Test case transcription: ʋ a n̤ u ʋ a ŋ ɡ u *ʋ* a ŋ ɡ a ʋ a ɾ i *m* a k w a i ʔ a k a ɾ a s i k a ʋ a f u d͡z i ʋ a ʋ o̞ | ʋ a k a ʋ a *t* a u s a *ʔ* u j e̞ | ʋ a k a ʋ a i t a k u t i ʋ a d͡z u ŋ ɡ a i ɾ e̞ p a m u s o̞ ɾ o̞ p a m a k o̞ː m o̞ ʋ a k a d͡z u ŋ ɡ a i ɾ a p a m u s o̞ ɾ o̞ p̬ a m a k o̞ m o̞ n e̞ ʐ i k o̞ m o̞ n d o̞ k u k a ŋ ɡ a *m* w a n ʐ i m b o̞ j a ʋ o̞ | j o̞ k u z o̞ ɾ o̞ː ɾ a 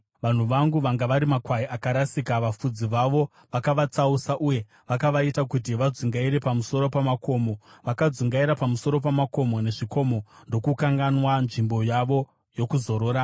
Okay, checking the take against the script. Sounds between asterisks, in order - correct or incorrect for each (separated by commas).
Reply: correct, correct, incorrect, correct, incorrect